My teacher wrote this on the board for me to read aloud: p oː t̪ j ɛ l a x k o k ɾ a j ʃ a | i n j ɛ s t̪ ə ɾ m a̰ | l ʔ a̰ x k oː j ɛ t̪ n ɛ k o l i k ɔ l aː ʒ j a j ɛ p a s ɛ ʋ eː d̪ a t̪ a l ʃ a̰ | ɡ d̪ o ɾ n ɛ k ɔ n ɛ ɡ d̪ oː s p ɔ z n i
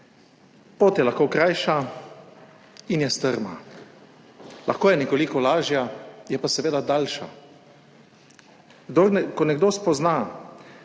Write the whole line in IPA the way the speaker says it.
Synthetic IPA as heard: p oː t̪ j ɛ l a x k o k ɾ a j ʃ a | i n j ɛ s t̪ ə ɾ m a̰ | l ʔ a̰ x k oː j ɛ n ɛ k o l i k ɔ l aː ʒ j a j ɛ p a s ɛ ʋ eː d̪ a d̪ a l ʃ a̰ | ɡ d̪ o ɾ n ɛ k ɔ n ɛ ɡ d̪ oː s p ɔ z n a